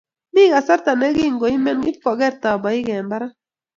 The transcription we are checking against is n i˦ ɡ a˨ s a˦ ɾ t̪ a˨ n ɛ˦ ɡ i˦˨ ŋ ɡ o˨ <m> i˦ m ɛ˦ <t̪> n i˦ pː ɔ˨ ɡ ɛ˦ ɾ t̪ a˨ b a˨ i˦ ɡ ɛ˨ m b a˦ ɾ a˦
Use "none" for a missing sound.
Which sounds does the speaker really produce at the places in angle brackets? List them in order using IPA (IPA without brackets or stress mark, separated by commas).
none, none